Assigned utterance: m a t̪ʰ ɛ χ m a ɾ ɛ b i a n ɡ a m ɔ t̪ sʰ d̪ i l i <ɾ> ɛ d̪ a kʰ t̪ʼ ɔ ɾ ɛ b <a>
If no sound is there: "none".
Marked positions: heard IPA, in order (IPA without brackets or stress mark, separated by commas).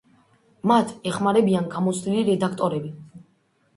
ɾ, i